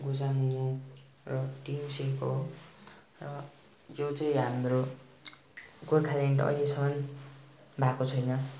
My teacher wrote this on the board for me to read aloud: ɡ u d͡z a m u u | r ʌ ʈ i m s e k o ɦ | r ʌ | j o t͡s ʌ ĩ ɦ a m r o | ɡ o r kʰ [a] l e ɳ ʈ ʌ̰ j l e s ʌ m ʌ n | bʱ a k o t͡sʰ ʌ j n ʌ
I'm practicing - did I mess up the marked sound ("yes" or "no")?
no